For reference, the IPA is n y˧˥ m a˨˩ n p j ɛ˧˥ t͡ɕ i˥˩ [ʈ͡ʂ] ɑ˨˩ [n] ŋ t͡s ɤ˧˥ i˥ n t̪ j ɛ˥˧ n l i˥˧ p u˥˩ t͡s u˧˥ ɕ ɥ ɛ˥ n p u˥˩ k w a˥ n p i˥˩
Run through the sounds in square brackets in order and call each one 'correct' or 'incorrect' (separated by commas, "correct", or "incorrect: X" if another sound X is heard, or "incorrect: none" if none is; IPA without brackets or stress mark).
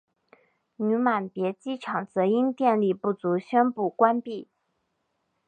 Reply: incorrect: ʈ͡ʂʰ, incorrect: none